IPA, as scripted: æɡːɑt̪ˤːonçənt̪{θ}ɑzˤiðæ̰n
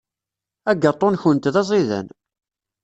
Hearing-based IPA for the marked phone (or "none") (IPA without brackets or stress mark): ð